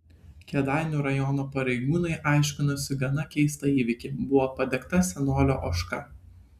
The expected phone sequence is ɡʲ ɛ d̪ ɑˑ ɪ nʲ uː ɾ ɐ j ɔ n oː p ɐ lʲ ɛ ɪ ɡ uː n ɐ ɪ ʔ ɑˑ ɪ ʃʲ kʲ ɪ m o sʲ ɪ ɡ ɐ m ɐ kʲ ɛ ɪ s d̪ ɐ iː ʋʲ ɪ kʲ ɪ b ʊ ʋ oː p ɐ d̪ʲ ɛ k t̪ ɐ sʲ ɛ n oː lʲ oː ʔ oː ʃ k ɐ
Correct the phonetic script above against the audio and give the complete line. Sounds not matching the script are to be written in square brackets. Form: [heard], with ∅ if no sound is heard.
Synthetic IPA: [kʲ] ɛ d̪ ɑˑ ɪ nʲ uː ɾ ɐ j ɔ n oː p ɐ [ɾʲ] ɛ ɪ ɡ uː n ɐ ɪ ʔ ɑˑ ɪ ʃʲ kʲ ɪ [n] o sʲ ɪ ɡ ɐ [n] ɐ kʲ ɛ ɪ s [t̪] ɐ iː ʋʲ ɪ kʲ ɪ b ʊ ʋ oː p ɐ d̪ʲ ɛ k t̪ ɐ sʲ ɛ n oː lʲ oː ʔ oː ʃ k ɐ